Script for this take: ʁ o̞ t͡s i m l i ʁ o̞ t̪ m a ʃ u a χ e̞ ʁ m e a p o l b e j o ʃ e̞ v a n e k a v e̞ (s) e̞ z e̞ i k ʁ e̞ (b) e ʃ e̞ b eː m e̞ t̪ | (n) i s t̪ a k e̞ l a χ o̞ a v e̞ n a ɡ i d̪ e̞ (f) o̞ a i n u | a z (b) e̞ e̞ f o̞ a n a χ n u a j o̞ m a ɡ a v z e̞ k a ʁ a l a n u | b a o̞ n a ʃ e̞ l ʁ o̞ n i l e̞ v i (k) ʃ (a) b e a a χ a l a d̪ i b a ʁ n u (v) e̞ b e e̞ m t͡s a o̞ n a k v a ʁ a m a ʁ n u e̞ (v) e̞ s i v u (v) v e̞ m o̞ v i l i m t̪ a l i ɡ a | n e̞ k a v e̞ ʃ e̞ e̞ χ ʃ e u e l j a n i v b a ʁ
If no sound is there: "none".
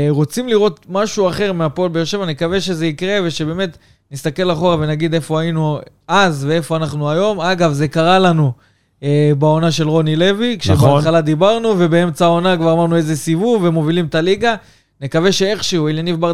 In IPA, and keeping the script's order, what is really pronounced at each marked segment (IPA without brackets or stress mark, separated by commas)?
ʃ, v, n, f, v, k, e, v, z, v